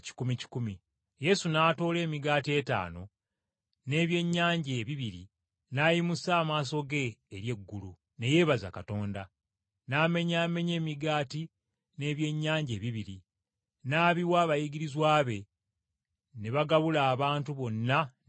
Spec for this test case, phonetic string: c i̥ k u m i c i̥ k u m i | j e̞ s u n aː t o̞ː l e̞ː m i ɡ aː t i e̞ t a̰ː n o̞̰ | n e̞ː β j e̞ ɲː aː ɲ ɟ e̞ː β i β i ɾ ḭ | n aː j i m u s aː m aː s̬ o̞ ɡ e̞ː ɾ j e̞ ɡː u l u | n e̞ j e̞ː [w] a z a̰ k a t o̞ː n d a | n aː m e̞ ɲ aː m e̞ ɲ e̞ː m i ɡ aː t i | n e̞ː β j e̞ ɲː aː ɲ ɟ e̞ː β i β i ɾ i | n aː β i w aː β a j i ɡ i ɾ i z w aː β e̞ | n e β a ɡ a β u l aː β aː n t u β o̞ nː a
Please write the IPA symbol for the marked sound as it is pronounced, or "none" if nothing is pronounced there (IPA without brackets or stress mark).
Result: β